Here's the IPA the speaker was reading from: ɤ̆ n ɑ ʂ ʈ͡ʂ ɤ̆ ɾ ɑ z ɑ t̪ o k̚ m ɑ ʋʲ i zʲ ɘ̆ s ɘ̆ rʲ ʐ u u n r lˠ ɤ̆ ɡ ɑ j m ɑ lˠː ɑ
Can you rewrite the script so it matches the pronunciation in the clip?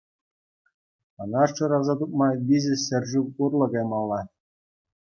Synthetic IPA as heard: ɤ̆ n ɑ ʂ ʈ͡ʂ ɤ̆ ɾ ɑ z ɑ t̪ u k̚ m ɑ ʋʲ i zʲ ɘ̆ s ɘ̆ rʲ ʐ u u r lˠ ɤ̆ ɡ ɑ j m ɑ lˠː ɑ